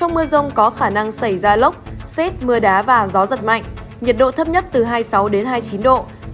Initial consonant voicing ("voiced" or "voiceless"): voiceless